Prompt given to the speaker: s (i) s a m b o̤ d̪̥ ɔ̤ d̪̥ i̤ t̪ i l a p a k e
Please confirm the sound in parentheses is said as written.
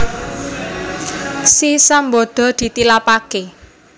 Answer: yes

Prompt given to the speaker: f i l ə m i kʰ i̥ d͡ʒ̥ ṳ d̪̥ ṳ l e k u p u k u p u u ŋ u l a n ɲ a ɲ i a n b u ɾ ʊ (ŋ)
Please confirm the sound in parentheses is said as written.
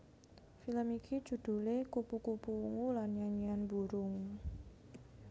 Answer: yes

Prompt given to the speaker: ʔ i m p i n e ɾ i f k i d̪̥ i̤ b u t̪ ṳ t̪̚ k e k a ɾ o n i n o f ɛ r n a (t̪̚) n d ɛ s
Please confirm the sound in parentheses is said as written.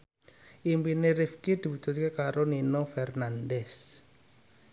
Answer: no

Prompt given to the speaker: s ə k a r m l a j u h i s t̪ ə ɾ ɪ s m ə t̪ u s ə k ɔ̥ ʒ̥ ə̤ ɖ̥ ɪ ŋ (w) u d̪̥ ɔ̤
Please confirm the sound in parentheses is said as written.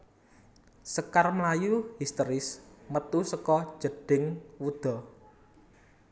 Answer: yes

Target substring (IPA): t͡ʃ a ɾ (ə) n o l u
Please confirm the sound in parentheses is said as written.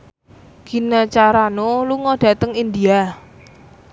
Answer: no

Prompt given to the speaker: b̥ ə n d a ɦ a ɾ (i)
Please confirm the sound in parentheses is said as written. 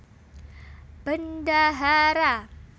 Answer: no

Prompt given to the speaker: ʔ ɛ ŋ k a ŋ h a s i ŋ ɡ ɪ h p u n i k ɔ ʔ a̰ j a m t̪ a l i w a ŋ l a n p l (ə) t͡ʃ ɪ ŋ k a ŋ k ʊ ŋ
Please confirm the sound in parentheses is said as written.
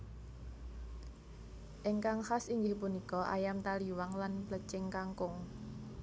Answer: yes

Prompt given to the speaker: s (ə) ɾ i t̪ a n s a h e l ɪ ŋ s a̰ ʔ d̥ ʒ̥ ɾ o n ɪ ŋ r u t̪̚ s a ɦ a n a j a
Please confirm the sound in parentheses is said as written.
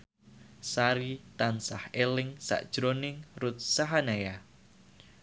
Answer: no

